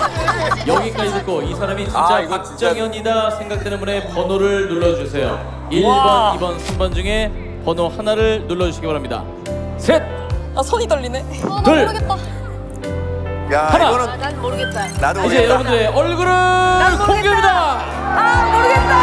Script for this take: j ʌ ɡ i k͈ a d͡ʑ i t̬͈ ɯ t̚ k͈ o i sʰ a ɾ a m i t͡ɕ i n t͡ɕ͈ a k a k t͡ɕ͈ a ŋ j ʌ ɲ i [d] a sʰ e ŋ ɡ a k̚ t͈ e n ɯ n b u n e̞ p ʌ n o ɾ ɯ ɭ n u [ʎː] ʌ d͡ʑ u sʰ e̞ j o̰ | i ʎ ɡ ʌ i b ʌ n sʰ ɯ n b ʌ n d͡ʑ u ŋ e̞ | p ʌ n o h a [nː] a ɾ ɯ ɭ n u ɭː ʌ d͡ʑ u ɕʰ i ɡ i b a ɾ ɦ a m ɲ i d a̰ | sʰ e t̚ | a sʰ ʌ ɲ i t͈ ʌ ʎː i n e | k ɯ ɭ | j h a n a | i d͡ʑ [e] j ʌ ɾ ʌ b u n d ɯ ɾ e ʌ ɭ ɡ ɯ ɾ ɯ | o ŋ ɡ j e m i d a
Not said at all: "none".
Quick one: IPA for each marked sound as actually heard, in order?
d, ɭː, n, e

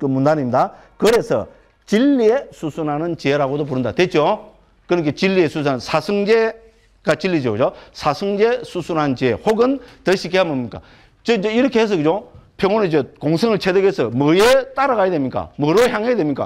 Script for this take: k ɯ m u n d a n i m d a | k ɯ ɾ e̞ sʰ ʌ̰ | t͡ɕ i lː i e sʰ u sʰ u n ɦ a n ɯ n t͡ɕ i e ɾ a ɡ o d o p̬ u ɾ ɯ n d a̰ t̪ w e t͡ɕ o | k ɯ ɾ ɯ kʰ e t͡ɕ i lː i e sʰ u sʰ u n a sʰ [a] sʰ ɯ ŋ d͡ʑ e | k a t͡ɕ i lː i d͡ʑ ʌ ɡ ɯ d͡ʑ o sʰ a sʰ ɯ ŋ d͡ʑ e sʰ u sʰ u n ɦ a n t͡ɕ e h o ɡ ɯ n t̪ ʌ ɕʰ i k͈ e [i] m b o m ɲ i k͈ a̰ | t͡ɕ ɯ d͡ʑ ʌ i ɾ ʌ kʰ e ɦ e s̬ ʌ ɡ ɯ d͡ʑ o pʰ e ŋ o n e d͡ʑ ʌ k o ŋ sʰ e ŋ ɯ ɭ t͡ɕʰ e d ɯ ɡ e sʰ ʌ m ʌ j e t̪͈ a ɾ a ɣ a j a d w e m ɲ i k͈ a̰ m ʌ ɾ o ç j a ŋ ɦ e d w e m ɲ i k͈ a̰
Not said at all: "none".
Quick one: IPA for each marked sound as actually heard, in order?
a, a

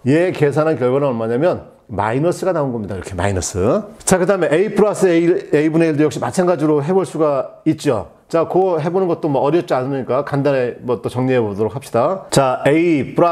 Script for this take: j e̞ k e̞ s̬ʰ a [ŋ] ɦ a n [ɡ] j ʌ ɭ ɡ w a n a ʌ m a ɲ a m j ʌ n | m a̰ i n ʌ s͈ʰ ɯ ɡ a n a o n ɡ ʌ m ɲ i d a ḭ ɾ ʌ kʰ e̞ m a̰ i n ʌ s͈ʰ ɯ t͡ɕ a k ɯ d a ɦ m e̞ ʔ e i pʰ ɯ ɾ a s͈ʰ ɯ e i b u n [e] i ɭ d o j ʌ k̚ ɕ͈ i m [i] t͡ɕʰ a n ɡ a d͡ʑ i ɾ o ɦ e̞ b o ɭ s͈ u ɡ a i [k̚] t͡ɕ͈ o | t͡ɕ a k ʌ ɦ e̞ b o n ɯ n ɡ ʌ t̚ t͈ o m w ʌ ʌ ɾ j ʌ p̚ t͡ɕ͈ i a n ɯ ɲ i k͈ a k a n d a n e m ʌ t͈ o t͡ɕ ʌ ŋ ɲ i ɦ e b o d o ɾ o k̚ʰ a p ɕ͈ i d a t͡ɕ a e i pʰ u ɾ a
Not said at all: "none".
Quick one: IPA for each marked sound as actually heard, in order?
n, k, e, a, t̚

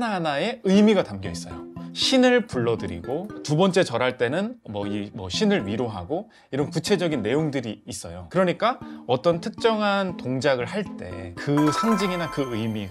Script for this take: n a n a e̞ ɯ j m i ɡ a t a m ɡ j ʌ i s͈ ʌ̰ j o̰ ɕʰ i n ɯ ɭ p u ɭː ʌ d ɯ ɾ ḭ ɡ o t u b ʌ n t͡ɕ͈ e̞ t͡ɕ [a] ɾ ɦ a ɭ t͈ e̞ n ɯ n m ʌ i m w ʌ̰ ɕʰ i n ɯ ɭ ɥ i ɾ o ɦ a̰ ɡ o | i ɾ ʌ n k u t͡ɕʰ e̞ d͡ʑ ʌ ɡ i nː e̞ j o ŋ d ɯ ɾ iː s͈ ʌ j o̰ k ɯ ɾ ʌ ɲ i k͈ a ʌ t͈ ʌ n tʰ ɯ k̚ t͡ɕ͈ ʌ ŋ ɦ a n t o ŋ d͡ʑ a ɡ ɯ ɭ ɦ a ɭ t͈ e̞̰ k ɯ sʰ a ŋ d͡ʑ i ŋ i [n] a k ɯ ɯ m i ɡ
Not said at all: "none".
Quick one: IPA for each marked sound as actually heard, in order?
ʌ, n

